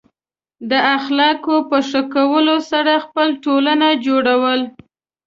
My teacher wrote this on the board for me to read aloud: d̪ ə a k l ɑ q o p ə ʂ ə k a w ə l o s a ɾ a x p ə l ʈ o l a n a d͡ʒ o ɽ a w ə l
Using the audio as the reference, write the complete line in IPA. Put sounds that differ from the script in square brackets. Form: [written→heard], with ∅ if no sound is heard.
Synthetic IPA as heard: d̪ ə a [k→x] l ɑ [q→k] o p ə ʂ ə k a w ə l o s a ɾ a x p ə l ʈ o l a n a d͡ʒ o ɽ a w ə l